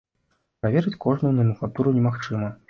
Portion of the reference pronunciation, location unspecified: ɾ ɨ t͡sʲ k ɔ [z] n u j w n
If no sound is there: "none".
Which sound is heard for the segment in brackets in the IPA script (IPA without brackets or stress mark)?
ʐ